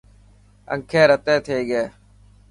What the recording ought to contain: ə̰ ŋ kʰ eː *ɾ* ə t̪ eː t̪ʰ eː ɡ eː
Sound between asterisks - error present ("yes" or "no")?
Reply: no